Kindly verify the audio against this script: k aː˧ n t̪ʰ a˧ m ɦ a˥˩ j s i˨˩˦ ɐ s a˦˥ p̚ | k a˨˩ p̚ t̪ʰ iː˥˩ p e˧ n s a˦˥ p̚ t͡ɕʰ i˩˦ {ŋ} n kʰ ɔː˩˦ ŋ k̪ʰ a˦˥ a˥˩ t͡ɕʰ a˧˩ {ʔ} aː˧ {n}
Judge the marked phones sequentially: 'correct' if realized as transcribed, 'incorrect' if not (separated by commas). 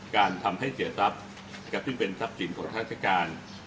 incorrect, incorrect, correct